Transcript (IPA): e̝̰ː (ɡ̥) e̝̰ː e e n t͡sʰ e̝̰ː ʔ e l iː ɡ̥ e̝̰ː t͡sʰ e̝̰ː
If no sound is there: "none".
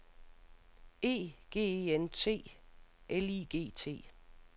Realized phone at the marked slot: ɡ̥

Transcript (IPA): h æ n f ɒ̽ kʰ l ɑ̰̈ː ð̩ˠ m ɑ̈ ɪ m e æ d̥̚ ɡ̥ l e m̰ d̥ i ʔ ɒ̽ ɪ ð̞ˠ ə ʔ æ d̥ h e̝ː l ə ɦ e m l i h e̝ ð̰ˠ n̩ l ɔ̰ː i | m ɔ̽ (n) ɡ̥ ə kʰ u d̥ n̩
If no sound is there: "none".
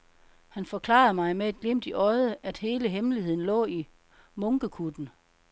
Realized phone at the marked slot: ŋ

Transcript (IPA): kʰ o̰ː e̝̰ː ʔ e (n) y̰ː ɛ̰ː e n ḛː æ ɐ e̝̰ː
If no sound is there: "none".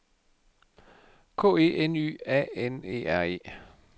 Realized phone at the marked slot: n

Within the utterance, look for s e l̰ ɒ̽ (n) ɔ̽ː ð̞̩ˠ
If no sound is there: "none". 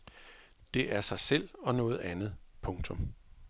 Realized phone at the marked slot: n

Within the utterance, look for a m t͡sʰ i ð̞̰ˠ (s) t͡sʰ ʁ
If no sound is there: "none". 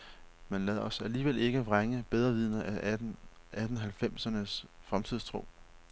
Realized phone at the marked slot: s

